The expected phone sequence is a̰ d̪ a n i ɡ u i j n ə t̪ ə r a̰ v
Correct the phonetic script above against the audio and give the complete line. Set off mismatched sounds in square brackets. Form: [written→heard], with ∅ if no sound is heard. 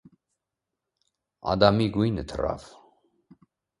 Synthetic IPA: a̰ d̪ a [n→m] i ɡ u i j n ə [t̪→t̪ʰ] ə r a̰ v